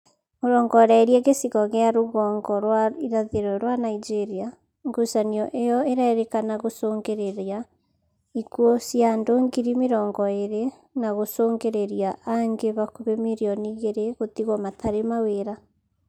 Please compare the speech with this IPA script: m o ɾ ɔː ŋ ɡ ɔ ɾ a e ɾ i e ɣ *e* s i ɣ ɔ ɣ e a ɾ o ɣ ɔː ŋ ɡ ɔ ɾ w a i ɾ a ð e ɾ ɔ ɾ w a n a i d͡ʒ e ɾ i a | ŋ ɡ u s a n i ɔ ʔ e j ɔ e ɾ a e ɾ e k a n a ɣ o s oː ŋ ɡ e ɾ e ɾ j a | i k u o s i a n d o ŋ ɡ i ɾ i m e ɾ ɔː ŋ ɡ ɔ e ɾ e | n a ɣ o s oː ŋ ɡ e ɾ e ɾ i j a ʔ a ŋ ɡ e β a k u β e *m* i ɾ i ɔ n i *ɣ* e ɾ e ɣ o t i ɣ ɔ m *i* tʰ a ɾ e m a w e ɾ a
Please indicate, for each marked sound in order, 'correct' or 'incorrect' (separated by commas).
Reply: correct, correct, correct, incorrect